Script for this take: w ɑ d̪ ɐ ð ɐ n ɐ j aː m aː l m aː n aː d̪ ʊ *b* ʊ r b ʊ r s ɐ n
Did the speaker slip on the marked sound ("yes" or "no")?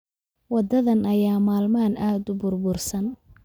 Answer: no